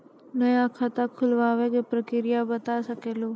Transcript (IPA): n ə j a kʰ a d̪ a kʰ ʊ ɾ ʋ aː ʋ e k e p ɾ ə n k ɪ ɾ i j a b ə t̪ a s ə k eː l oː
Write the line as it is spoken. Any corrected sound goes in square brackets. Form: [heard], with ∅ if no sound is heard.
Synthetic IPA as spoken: n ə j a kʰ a [t̪] a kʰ ʊ [l] ʋ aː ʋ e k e p ɾ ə [∅] k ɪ ɾ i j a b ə t̪ a s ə k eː l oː